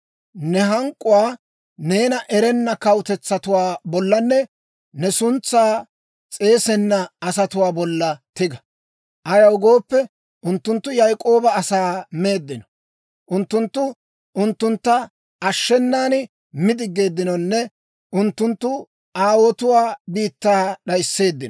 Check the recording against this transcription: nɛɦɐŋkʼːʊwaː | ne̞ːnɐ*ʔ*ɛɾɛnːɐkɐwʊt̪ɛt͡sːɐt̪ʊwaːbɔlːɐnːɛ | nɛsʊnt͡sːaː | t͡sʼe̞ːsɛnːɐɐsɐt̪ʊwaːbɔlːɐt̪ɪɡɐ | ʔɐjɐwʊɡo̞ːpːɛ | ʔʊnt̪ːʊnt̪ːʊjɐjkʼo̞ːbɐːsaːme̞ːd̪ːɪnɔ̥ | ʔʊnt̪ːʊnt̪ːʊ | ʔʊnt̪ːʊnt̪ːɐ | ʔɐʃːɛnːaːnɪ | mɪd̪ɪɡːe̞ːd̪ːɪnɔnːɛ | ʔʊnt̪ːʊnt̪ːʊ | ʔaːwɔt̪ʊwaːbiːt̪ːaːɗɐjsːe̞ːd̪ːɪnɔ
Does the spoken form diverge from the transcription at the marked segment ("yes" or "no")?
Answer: no